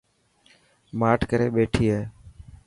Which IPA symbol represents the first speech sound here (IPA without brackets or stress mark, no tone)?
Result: m